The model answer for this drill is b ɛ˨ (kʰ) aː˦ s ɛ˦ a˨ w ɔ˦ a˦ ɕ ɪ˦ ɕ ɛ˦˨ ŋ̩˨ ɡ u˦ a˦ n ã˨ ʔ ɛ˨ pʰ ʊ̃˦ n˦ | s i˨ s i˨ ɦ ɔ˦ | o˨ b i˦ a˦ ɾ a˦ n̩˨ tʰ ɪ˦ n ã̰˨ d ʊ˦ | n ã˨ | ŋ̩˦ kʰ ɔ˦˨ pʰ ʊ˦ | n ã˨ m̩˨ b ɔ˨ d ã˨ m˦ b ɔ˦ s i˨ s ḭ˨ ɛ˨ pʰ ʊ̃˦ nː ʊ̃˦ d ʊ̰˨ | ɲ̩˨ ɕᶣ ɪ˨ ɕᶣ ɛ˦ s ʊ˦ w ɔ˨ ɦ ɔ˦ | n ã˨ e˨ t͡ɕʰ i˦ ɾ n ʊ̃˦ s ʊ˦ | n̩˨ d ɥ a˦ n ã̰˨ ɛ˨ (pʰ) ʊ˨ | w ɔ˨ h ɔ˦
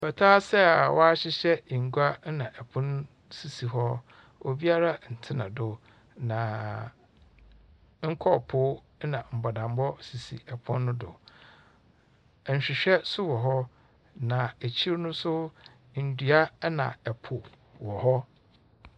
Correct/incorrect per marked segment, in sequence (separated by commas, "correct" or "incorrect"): incorrect, correct